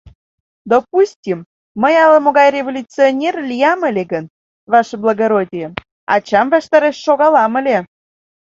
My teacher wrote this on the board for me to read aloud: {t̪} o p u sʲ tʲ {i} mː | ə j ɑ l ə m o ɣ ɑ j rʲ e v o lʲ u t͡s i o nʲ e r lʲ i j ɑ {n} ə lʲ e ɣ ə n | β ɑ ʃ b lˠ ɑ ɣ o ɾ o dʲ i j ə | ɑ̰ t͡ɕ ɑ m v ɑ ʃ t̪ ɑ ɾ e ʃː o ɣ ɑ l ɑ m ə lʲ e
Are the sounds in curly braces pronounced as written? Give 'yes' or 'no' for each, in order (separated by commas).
no, yes, no